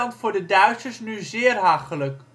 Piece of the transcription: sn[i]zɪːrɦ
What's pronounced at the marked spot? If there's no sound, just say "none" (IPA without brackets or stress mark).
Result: y